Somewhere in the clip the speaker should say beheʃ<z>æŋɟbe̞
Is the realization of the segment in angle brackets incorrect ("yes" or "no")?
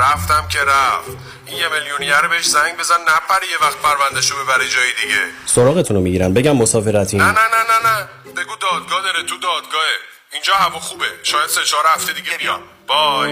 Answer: no